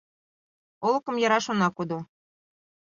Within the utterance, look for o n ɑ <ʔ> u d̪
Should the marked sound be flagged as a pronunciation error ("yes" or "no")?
yes